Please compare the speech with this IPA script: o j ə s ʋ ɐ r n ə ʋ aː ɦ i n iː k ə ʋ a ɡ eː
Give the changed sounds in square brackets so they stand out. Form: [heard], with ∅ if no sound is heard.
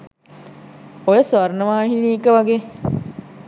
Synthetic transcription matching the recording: o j ə s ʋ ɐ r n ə ʋ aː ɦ i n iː k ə ʋ a ɡ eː